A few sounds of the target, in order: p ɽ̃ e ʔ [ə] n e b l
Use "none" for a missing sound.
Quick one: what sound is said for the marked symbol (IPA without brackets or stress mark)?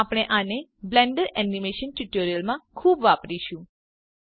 a